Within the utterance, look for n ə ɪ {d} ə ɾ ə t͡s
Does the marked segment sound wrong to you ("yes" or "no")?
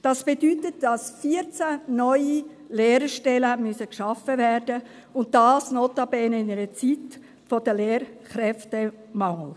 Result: yes